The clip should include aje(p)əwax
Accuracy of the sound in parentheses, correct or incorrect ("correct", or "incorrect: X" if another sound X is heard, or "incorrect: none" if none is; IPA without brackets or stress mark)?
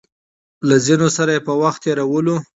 correct